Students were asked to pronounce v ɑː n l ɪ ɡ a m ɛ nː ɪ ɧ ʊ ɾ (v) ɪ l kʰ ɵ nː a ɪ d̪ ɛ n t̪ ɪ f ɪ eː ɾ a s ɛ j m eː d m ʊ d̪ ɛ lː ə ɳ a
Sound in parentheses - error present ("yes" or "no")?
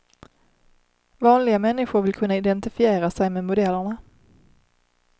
no